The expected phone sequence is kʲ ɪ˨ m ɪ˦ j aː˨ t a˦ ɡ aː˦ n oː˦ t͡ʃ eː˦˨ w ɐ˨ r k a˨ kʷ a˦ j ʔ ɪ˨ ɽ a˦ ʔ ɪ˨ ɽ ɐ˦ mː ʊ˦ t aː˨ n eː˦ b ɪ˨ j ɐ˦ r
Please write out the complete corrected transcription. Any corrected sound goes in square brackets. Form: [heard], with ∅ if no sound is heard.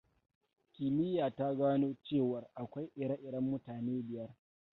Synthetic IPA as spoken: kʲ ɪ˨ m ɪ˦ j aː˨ t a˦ ɡ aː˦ n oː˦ t͡ʃ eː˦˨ w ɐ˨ r [ʔ] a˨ kʷ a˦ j ʔ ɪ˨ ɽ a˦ ʔ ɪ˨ ɽ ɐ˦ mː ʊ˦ t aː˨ n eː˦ b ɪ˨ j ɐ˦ r